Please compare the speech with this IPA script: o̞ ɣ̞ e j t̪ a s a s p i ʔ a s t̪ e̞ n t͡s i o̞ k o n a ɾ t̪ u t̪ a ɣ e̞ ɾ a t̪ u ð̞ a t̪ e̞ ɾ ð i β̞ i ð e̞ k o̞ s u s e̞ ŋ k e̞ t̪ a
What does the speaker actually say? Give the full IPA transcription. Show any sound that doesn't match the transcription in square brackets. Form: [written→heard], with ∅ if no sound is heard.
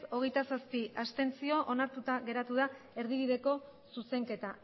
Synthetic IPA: o̞ ɣ̞ e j t̪ a s a s p i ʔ a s t̪ e̞ n t͡s i o̞ [k→ʔ] o n a ɾ t̪ u t̪ a ɣ e̞ ɾ a t̪ u ð̞ a [t̪→∅] e̞ ɾ ð i β̞ i ð e̞ k o̞ s u s e̞ ŋ k e̞ t̪ a

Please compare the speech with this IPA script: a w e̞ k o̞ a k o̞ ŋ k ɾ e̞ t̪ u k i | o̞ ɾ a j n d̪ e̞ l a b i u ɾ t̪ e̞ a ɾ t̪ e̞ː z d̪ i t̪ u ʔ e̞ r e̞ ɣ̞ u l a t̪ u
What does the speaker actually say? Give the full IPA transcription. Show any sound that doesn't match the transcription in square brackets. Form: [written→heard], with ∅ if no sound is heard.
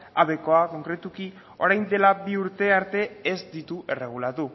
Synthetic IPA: a [w→β] e̞ k o̞ a k o̞ ŋ k ɾ e̞ t̪ u k i | o̞ ɾ a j n d̪ e̞ l a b i u ɾ t̪ e̞ a ɾ t̪ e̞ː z d̪ i t̪ u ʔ e̞ r e̞ ɣ̞ u l a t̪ u

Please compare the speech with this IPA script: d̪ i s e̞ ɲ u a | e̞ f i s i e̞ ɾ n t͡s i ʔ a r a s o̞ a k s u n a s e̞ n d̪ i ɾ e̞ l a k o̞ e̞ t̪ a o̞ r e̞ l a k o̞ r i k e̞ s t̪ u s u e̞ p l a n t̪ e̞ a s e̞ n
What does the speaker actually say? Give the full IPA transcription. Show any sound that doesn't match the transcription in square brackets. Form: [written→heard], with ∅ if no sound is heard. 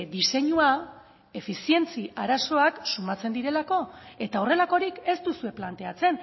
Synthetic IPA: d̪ i s e̞ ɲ u a | e̞ f i s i e̞ [ɾ→∅] n t͡s i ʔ a [r→ɾ] a s o̞ a k s u [n→m] a [s→t͡s] e̞ n d̪ i ɾ e̞ l a k o̞ e̞ t̪ a o̞ r e̞ l a k o̞ [r→ɾ] i k e̞ s t̪ u s u e̞ p l a n t̪ e̞ a [s→t͡s] e̞ n

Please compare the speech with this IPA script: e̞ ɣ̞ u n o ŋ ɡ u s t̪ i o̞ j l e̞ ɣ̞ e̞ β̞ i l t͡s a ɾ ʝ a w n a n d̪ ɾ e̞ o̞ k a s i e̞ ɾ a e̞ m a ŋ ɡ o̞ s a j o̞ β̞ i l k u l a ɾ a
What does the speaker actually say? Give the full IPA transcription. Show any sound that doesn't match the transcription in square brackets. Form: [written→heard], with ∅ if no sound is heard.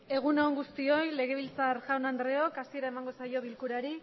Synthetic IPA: e̞ ɣ̞ u n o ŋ ɡ u s t̪ i o̞ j l e̞ ɣ̞ e̞ β̞ i l t͡s a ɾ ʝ a w n a n d̪ ɾ e̞ o̞ k a s i e̞ ɾ a e̞ m a ŋ ɡ o̞ s a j o̞ β̞ i l k u [l→ɾ] a ɾ [a→i]

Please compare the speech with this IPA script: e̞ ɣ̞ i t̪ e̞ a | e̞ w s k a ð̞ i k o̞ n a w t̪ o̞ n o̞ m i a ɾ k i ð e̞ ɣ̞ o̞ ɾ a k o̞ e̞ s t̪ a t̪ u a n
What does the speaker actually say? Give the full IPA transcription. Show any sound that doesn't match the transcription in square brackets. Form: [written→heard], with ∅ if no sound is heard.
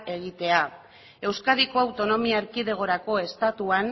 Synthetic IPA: e̞ ɣ̞ i t̪ e̞ a | e̞ w s k a ð̞ i k o̞ [n→∅] a w t̪ o̞ n o̞ m i a ɾ k i ð e̞ ɣ̞ o̞ ɾ a k o̞ e̞ s t̪ a t̪ u a n

